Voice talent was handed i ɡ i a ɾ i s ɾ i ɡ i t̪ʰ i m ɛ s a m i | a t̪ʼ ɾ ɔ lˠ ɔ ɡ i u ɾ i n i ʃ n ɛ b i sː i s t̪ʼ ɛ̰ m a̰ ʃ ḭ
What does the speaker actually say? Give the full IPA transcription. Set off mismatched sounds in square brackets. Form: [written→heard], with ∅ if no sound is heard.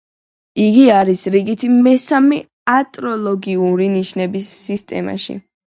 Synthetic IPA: i ɡ i a ɾ i s ɾ i ɡ i t̪ʰ i m ɛ s a m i | a t̪ʼ ɾ ɔ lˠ ɔ ɡ i u ɾ i n i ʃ n ɛ b i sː i s t̪ʼ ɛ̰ m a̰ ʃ ḭ